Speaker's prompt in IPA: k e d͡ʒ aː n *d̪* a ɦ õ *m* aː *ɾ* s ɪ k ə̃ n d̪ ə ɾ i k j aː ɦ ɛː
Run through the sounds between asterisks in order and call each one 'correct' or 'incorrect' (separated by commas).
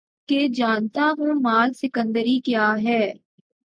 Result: incorrect, correct, incorrect